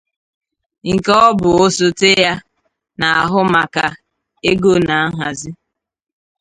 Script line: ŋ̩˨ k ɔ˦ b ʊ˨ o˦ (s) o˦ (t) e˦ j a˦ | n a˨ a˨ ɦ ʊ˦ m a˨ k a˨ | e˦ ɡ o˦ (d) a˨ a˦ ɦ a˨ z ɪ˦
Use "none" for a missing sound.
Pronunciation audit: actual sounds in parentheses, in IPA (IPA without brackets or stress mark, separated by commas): s, t, n